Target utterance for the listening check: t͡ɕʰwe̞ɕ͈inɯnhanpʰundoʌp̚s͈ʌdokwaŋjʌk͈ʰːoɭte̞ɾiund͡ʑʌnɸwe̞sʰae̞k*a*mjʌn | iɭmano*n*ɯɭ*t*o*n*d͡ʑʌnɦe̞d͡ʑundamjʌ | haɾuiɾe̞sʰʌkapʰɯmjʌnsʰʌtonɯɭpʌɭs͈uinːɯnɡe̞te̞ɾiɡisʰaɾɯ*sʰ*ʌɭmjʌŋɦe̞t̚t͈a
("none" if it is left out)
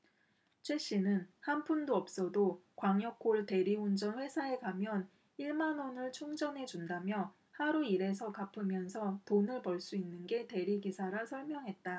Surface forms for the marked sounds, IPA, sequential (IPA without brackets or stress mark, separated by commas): a, n, t͡ɕʰ, ŋ, sʰ